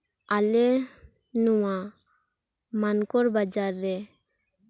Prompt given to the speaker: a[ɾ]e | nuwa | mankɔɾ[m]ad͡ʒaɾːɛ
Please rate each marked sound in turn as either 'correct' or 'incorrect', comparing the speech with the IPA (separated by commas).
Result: incorrect, incorrect